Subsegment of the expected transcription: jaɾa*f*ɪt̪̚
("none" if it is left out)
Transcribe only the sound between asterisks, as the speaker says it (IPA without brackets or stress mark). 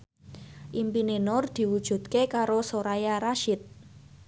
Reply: ʃ